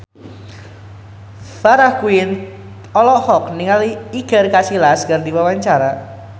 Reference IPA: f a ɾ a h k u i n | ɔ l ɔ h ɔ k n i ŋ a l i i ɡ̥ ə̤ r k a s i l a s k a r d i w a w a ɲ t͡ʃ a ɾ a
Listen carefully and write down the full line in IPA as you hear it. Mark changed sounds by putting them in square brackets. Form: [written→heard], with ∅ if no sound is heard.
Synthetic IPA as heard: f a ɾ a h k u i n | ɔ l ɔ h ɔ k n i ŋ a l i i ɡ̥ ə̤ r k a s i l a s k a r d i w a w a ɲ t͡ʃ a ɾ a